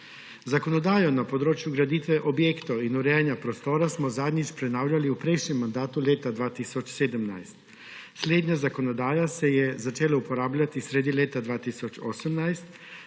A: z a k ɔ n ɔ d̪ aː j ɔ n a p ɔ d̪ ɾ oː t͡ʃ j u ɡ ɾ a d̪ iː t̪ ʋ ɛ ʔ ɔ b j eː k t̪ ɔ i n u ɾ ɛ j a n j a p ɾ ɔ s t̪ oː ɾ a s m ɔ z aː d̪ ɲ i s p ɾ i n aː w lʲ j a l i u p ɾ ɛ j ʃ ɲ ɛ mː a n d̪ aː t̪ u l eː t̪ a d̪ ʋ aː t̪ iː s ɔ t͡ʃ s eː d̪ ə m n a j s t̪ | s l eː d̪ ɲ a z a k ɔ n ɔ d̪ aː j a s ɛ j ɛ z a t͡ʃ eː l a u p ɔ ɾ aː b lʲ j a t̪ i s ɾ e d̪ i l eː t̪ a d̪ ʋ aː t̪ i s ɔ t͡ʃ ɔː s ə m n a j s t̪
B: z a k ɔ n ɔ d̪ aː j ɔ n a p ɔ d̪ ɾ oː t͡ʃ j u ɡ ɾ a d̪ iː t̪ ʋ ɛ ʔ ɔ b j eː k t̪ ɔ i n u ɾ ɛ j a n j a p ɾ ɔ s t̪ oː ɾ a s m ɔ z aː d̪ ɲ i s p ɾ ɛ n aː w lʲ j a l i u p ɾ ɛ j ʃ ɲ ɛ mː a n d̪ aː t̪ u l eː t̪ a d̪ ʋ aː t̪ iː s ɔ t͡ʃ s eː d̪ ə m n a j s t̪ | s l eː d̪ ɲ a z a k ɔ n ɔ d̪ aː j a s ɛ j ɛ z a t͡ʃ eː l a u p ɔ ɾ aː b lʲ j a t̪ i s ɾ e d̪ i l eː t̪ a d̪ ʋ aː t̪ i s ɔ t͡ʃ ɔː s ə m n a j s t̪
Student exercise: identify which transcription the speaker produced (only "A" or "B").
B